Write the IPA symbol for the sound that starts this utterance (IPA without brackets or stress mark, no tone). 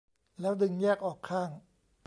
l